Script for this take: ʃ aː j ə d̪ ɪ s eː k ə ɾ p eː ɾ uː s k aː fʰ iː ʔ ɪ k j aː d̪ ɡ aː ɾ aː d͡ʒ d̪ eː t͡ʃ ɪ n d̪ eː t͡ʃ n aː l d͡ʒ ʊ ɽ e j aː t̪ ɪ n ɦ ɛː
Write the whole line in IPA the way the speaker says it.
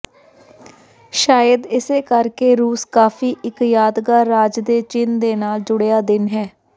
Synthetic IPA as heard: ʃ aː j ə d̪ ɪ s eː k ə ɾ k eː ɾ uː s k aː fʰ iː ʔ ɪ k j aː d̪ ɡ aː ɾ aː d͡ʒ d̪ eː t͡ʃ ɪ n d̪ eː n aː l d͡ʒ ʊ ɽ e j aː d̪ ɪ n ɦ ɛː